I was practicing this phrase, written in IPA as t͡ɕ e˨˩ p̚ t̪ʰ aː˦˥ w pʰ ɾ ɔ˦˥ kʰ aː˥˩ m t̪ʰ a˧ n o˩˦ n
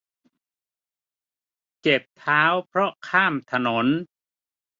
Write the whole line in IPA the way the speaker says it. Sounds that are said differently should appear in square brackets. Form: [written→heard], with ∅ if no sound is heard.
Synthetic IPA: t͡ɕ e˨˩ p̚ t̪ʰ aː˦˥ w pʰ ɾ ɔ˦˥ kʰ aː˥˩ m t̪ʰ a˧ n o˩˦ n